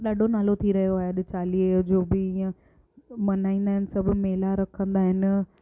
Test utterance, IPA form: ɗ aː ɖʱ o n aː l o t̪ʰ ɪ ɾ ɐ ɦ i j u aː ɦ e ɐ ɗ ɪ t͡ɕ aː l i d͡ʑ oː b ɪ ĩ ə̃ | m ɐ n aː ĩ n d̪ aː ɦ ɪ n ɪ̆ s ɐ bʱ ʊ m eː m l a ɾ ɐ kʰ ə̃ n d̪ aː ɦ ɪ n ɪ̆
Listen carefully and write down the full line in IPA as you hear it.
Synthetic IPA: ɗ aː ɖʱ o n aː l o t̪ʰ i ɾ ɐ ɦ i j o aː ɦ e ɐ ɗ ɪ t͡ɕ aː l i d͡ʑ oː b ɪ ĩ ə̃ | m ɐ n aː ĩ n d̪ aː ɦ ɪ n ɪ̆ s ɐ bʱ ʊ m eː l a ɾ ɐ kʰ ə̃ n d̪ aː ɦ ɪ n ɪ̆